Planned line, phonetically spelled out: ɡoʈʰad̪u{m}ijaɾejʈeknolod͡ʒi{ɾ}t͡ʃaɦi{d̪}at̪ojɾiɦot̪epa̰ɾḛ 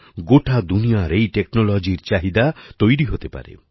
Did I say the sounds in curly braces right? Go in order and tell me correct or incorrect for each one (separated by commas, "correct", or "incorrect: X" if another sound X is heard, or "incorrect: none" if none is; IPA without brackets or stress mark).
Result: incorrect: n, correct, correct